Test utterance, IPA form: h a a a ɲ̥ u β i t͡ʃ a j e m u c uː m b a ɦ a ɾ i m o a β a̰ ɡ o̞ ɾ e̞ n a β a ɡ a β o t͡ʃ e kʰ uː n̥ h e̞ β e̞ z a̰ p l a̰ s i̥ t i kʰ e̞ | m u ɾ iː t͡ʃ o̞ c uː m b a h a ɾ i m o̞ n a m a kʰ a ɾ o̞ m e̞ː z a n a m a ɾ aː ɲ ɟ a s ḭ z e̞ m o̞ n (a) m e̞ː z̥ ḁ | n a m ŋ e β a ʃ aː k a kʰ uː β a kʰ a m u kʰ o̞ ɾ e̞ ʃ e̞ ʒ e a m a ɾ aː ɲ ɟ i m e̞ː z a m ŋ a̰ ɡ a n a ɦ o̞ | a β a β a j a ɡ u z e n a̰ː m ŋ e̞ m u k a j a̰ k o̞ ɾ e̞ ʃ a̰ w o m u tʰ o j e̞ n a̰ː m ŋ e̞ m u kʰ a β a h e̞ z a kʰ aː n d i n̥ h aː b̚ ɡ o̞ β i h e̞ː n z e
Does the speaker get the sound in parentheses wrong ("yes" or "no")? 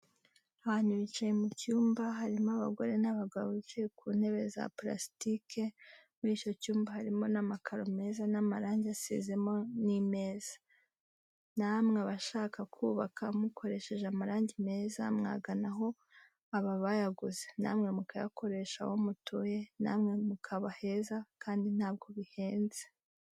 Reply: yes